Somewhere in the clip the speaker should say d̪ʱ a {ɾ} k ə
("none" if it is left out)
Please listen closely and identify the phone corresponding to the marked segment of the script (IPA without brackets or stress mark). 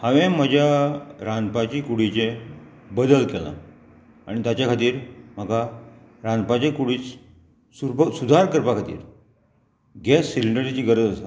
ɾ